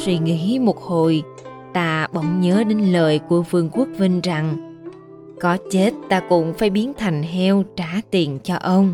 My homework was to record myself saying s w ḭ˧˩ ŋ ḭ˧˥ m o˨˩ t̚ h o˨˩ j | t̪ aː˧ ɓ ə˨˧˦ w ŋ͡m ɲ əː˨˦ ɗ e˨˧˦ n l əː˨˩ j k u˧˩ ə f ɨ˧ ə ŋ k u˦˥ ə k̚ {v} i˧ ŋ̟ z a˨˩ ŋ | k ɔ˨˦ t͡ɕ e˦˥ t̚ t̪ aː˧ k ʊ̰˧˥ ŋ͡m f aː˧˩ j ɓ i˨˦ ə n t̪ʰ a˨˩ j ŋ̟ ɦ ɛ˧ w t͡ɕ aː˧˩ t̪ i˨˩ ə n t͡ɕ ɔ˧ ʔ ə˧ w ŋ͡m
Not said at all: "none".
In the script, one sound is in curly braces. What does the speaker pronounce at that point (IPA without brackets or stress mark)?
v